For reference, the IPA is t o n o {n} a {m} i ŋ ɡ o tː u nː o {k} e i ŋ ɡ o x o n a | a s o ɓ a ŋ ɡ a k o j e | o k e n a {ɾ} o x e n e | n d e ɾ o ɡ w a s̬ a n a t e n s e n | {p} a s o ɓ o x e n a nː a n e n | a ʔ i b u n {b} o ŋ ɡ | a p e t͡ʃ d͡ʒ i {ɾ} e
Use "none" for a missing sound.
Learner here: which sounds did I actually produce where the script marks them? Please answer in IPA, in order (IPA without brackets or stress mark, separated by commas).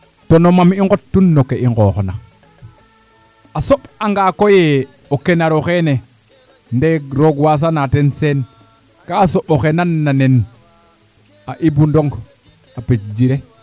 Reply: m, m, k, ɾ, k, d, ɾ